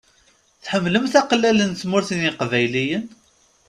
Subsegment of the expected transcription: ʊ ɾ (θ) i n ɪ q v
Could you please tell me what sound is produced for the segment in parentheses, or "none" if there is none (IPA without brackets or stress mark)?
θ